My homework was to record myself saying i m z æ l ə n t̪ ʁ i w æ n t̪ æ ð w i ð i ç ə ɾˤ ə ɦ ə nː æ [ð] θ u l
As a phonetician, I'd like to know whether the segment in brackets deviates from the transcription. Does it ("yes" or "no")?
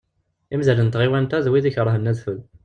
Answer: no